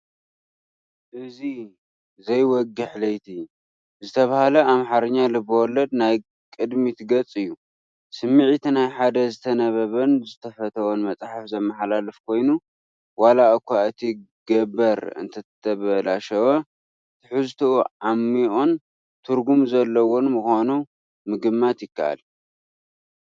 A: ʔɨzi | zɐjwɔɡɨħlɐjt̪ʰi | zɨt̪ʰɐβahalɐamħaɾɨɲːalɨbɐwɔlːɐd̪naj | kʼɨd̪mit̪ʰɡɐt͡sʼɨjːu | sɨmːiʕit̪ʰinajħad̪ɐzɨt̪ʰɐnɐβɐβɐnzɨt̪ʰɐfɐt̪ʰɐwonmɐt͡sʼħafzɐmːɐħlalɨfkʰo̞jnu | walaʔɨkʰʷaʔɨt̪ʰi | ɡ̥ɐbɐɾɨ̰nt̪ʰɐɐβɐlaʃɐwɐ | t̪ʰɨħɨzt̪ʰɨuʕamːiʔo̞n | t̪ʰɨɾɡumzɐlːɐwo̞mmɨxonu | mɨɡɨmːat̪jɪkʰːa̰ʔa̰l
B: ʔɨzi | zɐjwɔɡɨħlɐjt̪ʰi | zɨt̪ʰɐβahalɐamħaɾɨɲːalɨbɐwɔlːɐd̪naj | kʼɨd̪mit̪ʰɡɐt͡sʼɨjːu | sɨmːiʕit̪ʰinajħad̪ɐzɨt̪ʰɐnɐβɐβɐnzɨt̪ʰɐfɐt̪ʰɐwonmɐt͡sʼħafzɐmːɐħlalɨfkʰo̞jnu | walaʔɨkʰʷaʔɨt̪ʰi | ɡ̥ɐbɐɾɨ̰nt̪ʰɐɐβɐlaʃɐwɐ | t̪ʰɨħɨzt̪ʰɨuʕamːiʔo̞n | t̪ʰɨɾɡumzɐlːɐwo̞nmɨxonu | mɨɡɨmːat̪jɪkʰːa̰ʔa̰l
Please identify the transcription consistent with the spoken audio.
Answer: B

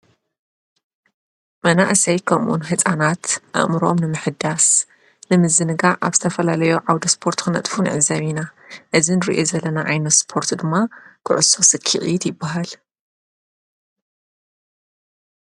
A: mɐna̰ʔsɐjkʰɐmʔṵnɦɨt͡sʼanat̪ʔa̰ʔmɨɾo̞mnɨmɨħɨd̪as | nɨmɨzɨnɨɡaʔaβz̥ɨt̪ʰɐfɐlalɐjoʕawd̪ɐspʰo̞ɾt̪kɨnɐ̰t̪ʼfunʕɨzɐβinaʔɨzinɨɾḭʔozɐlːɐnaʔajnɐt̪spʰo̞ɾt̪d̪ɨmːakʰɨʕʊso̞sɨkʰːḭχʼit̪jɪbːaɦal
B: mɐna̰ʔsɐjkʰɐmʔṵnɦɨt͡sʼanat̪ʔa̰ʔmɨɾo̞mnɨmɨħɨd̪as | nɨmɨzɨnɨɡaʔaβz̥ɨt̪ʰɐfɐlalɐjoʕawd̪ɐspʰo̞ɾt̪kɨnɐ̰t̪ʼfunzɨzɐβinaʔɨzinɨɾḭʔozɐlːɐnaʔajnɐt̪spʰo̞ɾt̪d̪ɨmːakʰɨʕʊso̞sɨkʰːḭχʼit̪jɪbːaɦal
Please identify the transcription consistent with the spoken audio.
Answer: A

